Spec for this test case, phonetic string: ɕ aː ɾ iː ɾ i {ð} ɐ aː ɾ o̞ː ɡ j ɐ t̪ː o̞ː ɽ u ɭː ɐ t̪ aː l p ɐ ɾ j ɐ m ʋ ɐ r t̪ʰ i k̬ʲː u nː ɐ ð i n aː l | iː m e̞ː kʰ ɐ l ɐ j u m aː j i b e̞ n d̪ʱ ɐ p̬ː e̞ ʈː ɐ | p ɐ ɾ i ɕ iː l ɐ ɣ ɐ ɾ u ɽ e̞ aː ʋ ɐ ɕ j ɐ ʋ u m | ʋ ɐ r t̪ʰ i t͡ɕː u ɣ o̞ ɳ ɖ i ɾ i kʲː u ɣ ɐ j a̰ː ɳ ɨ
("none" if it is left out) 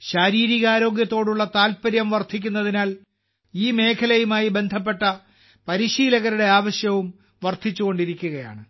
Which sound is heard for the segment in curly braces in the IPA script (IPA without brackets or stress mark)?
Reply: ɣ